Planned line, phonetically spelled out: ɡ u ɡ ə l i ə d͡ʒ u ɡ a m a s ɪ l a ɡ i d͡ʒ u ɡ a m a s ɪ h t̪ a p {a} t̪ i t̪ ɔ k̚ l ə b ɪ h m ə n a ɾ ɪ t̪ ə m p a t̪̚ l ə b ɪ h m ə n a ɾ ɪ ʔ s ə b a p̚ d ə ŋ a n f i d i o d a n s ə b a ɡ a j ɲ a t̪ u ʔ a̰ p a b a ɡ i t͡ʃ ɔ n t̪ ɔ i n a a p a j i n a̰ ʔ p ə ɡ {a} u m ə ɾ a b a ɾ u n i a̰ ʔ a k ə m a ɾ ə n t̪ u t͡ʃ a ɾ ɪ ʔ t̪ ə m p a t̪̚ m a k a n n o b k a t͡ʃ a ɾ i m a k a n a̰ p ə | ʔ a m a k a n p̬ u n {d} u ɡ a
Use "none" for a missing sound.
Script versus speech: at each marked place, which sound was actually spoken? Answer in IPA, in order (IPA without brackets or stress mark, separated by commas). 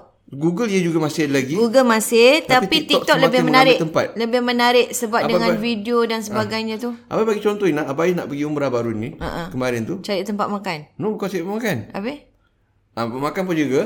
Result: i, i, d͡ʒ